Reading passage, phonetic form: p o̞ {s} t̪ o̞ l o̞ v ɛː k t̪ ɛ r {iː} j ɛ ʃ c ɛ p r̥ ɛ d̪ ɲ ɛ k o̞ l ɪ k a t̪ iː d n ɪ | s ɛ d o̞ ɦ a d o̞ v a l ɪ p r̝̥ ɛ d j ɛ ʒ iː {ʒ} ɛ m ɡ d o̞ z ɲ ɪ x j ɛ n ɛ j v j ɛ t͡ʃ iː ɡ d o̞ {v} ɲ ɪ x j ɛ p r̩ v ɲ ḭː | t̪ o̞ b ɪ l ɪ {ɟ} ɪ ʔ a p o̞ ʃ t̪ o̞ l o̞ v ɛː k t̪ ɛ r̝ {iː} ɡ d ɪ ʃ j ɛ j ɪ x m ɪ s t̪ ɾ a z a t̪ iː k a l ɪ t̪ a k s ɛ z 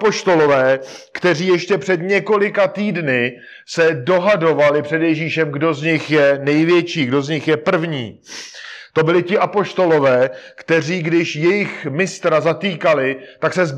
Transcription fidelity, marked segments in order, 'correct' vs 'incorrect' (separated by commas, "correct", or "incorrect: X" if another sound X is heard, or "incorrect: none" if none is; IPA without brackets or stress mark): incorrect: ʃ, correct, incorrect: ʃ, incorrect: z, incorrect: c, correct